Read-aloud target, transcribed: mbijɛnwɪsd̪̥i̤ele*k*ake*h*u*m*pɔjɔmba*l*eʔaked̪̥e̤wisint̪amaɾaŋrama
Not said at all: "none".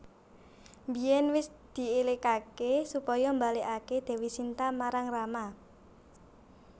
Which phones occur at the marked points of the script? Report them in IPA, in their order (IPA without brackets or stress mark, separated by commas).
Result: k, s, none, l